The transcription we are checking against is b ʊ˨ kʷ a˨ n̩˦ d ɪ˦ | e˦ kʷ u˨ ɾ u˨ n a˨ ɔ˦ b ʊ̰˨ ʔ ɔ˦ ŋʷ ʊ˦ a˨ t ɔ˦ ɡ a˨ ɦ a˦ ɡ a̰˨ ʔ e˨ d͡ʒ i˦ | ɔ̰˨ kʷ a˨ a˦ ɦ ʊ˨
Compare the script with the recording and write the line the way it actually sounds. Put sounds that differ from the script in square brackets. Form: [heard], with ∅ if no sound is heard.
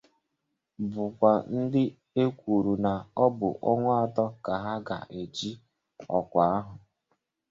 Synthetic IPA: b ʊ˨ kʷ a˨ n̩˦ d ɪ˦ | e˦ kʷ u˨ ɾ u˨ n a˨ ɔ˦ b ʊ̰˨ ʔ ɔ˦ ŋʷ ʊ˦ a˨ t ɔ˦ [k] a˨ ɦ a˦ ɡ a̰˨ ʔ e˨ d͡ʒ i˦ | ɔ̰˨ kʷ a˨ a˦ ɦ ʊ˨